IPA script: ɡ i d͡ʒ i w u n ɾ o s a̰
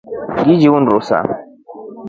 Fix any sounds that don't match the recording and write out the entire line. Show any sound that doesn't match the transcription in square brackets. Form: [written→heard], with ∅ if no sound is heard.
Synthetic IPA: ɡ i d͡ʒ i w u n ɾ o s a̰